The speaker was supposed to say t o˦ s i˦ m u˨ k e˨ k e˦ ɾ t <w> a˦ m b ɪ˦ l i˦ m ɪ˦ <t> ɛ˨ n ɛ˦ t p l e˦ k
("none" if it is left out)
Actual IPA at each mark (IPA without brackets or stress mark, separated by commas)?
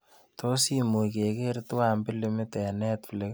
w, t